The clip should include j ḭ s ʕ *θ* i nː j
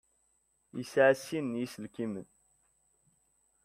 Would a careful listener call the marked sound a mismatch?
yes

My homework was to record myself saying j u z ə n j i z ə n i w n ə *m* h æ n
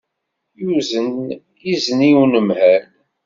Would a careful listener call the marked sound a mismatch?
no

